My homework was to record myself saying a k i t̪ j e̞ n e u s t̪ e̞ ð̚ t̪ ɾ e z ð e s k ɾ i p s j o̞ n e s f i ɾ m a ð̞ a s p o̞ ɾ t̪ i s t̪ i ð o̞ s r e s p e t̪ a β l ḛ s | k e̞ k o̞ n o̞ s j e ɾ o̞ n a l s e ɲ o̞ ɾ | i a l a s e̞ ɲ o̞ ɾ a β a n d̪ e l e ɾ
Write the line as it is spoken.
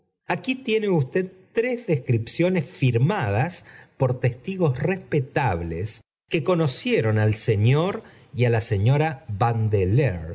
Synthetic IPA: a k i t̪ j e̞ n e u s t̪ e̞ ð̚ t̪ ɾ e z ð e s k ɾ i p s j o̞ n e s f i ɾ m a ð̞ a s p o̞ ɾ t̪ e s t̪ i ɣ o̞ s r e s p e t̪ a β l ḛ s | k e̞ k o̞ n o̞ s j e ɾ o̞ n a l s e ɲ o̞ ɾ | i a l a s e̞ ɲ o̞ ɾ a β a n d̪ e l e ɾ